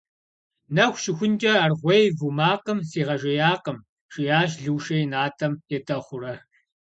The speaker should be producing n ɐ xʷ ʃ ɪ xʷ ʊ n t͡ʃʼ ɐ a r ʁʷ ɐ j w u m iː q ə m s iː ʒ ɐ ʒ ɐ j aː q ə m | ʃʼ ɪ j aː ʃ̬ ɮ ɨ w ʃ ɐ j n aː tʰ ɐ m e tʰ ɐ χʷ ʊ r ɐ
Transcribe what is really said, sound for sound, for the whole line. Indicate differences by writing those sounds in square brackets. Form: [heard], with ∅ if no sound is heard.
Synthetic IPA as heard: n ɐ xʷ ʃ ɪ xʷ ʊ n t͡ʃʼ ɐ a r ʁʷ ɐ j [v] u m [aː] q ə m s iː [ʁ] ɐ ʒ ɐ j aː q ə m | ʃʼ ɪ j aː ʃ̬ ɮ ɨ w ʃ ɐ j n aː tʰ ɐ m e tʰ ɐ χʷ ʊ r ɐ